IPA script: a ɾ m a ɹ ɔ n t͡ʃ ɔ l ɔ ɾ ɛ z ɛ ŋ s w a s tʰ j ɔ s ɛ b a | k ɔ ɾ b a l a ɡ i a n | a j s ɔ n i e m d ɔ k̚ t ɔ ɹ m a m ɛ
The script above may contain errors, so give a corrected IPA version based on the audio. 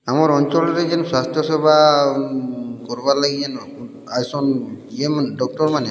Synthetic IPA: a m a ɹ ɔ n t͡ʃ ɔ l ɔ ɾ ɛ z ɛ n s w a s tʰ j ɔ s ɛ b a | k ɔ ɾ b a l a ɡ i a n | a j s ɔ n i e m d ɔ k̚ t ɔ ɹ m a n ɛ